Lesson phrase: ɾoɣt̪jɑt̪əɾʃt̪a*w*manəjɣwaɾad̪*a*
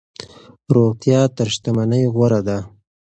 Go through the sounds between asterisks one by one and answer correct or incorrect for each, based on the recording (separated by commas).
incorrect, correct